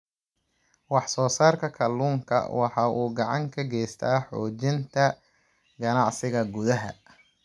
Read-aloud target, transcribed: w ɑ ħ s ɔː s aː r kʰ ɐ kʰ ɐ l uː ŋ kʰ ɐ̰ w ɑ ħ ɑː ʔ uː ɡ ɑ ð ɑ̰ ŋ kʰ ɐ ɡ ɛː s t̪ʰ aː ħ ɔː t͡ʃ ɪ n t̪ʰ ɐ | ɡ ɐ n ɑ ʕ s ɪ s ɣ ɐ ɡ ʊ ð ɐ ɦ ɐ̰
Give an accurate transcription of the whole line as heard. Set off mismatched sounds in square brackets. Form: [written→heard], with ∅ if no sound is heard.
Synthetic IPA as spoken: w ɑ ħ s ɔː s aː r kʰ ɐ kʰ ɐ l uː ŋ kʰ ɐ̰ w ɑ ħ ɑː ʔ uː ɡ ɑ [ð→ʕ] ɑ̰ ŋ kʰ ɐ ɡ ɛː s t̪ʰ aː ħ ɔː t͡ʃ ɪ n t̪ʰ ɐ | ɡ ɐ n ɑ ʕ s ɪ [s→∅] ɣ ɐ ɡ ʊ ð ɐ ɦ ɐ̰